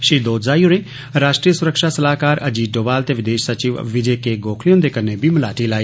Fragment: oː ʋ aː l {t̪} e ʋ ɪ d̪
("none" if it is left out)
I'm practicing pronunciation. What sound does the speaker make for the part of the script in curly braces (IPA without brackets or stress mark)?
t̪